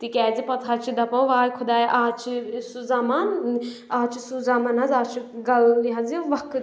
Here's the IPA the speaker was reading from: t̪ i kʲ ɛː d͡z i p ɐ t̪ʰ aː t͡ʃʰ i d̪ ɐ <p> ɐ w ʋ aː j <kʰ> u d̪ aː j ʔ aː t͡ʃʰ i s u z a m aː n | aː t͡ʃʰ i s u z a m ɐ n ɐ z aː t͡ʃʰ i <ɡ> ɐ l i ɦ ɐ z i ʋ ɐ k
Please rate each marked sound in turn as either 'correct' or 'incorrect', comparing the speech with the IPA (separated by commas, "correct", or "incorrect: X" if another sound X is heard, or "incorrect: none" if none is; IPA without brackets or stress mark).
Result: correct, correct, correct